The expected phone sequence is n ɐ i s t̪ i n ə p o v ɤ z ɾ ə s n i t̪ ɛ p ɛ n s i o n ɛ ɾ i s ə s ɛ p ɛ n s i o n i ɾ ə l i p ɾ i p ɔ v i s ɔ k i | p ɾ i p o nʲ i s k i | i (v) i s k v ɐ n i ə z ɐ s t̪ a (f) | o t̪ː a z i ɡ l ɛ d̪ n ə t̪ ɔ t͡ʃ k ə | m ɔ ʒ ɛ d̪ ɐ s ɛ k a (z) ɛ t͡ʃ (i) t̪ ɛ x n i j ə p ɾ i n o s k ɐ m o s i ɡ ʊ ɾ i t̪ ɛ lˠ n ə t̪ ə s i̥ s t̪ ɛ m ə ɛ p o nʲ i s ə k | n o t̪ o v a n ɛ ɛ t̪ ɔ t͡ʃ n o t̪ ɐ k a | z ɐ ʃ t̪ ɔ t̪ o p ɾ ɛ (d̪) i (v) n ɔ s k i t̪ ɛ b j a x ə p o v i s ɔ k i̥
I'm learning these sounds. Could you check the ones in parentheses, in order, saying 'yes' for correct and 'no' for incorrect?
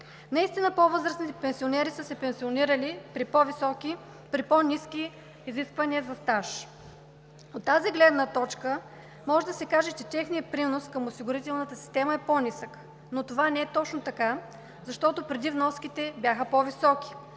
no, no, no, no, yes, yes

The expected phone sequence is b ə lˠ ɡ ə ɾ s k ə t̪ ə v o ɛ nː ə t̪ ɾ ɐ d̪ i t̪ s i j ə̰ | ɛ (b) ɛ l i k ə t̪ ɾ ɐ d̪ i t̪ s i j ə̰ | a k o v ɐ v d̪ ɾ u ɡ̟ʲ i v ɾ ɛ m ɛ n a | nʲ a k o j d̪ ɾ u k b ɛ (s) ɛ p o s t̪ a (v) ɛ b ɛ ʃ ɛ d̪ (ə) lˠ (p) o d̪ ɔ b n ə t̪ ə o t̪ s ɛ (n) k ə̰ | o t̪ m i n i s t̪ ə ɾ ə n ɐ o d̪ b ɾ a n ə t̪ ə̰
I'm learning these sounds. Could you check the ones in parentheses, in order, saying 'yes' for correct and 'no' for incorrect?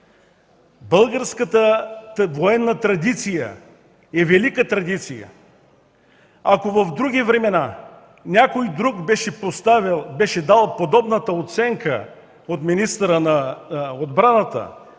no, no, yes, no, yes, no

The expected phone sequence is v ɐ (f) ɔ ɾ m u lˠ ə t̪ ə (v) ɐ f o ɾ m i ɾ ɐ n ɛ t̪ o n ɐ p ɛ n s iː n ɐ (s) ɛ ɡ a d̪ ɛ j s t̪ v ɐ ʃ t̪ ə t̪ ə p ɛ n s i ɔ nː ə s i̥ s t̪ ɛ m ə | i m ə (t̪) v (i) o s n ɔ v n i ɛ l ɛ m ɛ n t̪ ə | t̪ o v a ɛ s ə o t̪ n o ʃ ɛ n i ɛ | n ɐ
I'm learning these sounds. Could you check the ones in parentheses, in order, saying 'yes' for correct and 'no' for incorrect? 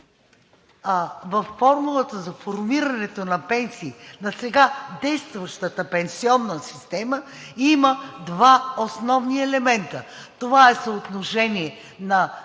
no, no, yes, no, no

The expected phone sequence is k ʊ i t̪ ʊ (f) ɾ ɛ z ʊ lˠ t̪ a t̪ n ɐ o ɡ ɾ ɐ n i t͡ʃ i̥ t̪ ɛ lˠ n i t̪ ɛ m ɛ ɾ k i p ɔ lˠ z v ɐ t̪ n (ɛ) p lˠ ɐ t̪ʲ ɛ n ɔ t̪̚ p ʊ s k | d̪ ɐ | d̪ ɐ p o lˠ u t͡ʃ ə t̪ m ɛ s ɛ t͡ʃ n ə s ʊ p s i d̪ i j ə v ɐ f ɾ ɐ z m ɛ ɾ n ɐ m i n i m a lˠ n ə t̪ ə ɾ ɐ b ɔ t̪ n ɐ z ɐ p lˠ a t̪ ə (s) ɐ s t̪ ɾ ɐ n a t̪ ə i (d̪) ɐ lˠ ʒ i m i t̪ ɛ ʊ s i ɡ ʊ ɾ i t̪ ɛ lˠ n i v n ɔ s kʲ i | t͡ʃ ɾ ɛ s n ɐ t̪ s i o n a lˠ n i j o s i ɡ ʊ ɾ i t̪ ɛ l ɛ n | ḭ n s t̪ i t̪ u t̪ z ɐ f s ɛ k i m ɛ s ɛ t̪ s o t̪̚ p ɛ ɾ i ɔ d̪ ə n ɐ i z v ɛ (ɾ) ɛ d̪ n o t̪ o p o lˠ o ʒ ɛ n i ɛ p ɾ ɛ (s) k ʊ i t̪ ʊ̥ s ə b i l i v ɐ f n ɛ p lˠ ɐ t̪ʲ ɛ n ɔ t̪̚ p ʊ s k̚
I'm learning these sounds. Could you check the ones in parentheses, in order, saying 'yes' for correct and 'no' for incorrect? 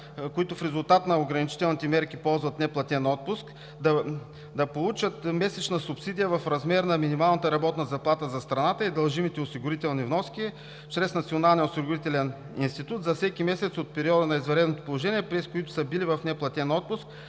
yes, yes, no, yes, yes, yes

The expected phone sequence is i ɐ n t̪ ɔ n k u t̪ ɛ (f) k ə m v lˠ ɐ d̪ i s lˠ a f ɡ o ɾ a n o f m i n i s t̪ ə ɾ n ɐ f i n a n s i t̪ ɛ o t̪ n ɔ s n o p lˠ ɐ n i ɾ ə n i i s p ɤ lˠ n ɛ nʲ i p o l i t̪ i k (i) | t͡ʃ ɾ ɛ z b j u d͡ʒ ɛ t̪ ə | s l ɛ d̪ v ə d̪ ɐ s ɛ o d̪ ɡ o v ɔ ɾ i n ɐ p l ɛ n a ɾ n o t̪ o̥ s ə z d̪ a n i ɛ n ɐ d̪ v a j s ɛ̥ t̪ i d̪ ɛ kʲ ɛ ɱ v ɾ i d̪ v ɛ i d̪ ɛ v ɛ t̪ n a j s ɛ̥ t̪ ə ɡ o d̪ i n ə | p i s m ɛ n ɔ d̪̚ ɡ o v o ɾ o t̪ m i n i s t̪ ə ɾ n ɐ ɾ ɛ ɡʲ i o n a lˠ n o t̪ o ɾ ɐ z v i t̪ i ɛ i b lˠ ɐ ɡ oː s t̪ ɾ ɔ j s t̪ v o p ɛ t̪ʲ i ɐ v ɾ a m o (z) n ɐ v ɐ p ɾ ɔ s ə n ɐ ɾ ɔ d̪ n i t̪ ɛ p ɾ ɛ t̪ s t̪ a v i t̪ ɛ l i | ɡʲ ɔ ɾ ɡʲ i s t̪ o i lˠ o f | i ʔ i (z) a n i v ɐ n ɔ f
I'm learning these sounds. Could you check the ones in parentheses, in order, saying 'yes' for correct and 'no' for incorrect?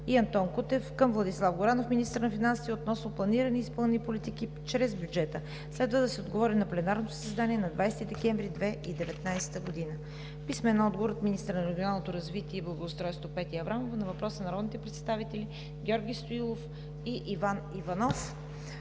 yes, yes, no, no

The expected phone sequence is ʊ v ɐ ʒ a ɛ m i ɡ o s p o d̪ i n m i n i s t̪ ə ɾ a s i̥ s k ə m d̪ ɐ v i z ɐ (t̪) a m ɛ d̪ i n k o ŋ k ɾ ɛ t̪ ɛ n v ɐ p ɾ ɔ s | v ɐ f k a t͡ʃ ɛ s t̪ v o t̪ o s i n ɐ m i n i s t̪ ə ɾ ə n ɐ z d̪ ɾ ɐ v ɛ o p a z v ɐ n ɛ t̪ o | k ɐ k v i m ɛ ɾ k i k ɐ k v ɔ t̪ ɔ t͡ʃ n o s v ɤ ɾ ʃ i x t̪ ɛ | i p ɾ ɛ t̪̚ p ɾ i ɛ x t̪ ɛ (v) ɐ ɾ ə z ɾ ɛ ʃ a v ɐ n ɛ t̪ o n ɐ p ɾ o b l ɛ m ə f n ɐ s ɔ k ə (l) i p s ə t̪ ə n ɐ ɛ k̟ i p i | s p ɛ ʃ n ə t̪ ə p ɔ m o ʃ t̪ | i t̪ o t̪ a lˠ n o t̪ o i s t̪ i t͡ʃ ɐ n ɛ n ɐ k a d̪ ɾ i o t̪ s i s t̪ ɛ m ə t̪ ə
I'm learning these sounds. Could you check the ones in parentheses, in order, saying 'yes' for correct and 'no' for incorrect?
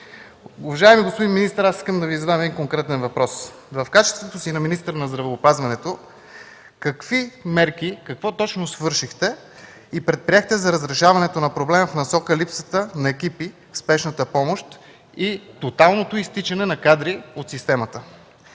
no, no, yes

